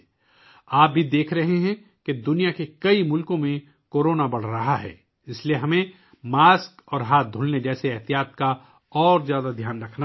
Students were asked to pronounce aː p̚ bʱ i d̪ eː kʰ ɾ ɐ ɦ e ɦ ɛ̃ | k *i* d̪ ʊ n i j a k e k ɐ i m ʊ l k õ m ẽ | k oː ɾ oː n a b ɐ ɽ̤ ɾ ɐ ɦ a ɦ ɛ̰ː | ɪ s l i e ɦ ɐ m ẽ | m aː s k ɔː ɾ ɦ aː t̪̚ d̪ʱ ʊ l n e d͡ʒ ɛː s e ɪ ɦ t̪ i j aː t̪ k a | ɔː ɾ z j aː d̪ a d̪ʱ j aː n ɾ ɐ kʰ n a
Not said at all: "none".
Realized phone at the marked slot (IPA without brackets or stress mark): e